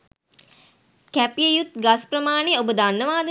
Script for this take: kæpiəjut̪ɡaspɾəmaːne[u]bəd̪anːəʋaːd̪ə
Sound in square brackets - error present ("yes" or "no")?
yes